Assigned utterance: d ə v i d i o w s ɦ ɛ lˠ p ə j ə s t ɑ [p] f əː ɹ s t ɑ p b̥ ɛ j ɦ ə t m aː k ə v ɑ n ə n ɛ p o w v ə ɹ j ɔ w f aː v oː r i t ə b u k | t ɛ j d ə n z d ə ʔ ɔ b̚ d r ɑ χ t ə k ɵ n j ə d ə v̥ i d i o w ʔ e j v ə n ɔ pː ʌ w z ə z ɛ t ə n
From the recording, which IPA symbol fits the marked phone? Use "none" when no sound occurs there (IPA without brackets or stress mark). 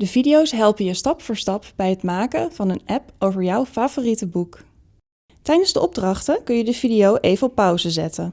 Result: p